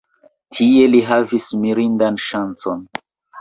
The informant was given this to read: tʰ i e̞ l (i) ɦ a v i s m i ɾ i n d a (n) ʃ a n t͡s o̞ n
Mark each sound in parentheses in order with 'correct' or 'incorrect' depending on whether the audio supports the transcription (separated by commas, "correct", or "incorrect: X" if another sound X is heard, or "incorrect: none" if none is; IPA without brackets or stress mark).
correct, correct